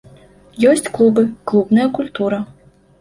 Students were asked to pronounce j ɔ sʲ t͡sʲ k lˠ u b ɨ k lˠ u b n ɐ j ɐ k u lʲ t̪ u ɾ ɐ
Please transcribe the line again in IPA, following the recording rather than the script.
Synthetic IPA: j ɔ sʲ t͡sʲ k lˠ u b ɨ k lˠ u b n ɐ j ɐ k u lʲ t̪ u ɾ ɐ

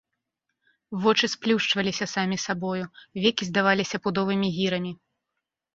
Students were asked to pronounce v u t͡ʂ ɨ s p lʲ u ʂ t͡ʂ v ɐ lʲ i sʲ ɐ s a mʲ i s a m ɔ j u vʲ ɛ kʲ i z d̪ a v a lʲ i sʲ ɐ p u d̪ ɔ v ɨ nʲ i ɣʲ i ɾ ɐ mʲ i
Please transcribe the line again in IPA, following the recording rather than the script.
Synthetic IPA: v ɔ t͡ʂ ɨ s p lʲ u ʂ t͡ʂ v ɐ lʲ i sʲ ɐ s a mʲ i s a b ɔ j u vʲ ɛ kʲ i z d̪ a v a lʲ i sʲ ɐ p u d̪ ɔ v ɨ mʲ i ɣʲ i ɾ ɐ mʲ i

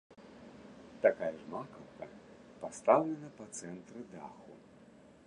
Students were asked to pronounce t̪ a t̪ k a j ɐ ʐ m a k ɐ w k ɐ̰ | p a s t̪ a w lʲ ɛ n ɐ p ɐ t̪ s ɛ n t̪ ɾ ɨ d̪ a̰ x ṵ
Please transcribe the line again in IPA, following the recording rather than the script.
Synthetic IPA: t̪ a k a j ɐ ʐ m a k ɐ w k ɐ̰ | p a s t̪ a w lʲ ɛ n ɐ p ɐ t̪ s ɛ n t̪ ɾ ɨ d̪ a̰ x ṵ

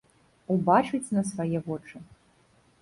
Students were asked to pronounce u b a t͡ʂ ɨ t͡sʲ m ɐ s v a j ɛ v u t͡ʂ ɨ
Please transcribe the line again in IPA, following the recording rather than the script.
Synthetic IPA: u b a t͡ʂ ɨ t͡sʲ n ɐ s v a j ɛ v ɔ t͡ʂ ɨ

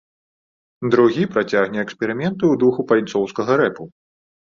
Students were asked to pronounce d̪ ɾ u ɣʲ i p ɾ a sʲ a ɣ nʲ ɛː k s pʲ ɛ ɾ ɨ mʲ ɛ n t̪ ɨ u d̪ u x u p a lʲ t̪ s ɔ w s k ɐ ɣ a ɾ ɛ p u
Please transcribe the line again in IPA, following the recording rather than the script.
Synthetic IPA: d̪ ɾ u ɣʲ i p ɾ a t͡sʲ a ɣ nʲ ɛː k s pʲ ɛ ɾ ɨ mʲ ɛ n t̪ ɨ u d̪ u x u p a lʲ t̪ s ɔ w s k ɐ ɣ ɐ ɾ ɛ p u

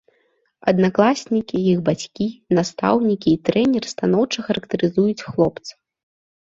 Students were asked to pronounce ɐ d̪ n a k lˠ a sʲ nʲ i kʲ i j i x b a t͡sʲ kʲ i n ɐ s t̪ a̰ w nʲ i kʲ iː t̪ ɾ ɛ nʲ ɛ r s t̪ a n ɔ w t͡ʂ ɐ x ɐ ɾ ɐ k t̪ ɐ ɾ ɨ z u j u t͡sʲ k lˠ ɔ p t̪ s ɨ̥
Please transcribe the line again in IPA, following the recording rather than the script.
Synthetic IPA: ɐ d̪ n a k lˠ a sʲ nʲ i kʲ i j i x b a t͡sʲ kʲ i n a s t̪ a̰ w nʲ i kʲ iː t̪ ɾ ɛ nʲ ɛ r s t̪ a n ɔ w t͡ʂ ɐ x ɐ ɾ ɐ k t̪ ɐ ɾ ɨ z u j u t͡sʲ x lˠ ɔ p t̪ s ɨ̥

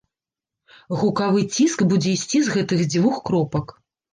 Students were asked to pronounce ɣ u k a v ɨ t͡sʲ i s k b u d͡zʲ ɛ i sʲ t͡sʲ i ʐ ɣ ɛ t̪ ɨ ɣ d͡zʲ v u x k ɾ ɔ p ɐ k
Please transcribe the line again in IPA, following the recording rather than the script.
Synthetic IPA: ɣ u k a v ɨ t͡sʲ i s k b u d͡zʲ ɛ i sʲ t͡sʲ i z ɣ ɛ t̪ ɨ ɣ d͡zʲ v u x k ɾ ɔ p ɐ k

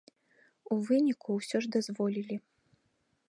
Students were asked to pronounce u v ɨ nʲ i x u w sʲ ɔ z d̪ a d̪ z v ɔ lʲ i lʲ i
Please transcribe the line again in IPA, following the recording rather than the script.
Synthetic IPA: u v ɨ nʲ i k u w sʲ ɔ ʐ d̪ a z v ɔ lʲ i lʲ i

